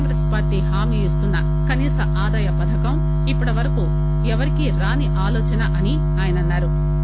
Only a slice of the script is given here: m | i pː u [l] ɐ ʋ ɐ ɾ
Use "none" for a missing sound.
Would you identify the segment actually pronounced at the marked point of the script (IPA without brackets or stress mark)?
ɽ